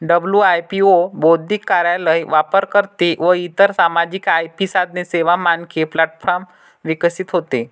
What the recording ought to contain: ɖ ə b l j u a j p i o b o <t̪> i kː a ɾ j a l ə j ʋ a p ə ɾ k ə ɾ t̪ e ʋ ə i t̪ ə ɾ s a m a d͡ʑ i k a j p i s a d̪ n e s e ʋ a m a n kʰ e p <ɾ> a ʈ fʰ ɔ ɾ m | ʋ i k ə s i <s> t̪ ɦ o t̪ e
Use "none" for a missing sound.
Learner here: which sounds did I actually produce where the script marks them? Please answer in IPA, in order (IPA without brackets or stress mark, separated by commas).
d̪, l, none